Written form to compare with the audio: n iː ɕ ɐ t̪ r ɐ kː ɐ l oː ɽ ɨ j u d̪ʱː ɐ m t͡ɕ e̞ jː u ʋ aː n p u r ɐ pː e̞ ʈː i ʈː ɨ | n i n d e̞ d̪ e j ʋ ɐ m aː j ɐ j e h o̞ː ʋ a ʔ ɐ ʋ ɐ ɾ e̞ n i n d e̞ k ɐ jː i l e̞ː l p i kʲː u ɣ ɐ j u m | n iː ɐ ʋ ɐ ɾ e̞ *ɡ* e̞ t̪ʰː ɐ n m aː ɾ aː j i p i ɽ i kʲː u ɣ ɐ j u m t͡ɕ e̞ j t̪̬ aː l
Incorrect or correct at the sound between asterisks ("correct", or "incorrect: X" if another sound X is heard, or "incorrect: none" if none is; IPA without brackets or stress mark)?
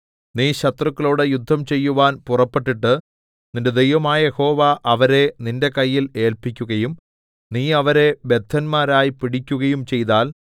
incorrect: b